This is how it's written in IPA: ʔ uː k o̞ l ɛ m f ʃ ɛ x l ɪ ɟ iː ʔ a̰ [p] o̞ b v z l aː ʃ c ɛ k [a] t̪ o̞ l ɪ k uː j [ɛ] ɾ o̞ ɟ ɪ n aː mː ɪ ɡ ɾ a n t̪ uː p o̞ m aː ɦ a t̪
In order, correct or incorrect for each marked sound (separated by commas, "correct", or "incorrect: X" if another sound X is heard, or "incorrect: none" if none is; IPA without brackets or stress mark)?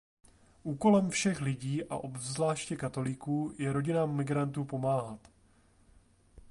incorrect: ʔ, correct, correct